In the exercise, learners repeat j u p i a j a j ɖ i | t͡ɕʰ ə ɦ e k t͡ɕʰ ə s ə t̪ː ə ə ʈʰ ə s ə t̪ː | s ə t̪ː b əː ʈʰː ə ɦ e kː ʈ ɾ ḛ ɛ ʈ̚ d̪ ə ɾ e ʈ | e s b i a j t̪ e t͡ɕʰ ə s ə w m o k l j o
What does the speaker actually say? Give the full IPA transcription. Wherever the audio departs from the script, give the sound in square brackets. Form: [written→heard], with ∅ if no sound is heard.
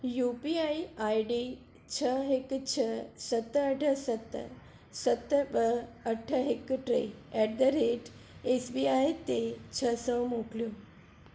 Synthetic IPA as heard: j u p i a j a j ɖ i | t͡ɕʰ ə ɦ e k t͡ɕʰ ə s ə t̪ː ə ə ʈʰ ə s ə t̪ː | s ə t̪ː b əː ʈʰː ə ɦ e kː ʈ ɾ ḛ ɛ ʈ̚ d̪ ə ɾ e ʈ | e s b i a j t̪ e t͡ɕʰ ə s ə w m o k l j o